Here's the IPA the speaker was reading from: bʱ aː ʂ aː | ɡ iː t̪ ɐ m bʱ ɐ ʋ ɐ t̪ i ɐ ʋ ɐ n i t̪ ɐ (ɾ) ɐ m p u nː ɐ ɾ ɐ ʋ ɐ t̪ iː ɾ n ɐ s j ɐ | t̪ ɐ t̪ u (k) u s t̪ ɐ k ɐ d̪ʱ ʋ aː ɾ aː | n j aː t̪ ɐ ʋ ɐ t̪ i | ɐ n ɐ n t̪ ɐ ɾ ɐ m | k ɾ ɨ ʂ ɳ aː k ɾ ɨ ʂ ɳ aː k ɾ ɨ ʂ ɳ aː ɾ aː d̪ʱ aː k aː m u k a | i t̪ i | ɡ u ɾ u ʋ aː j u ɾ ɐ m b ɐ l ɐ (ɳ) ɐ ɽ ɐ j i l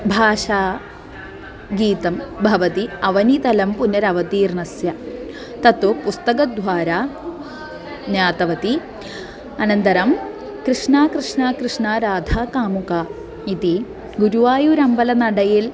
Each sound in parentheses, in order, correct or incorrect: incorrect, incorrect, incorrect

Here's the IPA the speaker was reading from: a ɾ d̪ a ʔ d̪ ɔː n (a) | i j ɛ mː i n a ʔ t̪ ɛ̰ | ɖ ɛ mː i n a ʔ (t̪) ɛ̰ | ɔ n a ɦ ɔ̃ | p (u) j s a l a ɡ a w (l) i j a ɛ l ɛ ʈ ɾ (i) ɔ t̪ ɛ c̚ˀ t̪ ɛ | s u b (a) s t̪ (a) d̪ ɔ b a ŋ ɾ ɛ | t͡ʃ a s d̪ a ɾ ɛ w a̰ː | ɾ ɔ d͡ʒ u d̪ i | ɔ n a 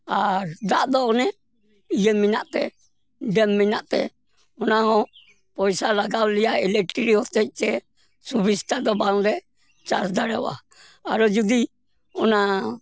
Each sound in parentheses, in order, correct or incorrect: incorrect, correct, incorrect, correct, correct, incorrect, correct

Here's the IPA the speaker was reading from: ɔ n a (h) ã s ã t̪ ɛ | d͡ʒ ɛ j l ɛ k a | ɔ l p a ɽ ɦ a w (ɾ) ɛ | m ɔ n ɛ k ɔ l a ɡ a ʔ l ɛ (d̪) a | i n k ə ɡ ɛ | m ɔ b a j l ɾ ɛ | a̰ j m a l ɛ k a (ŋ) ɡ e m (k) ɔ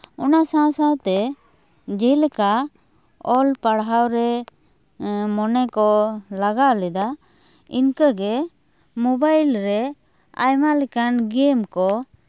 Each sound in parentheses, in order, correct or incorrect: incorrect, correct, correct, incorrect, correct

